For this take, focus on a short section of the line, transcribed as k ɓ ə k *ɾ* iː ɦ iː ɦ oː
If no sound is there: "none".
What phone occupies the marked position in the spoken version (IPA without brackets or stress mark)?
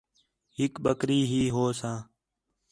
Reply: ɾ